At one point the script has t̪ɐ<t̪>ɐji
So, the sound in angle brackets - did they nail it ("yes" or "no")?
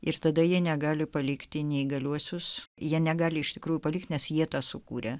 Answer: no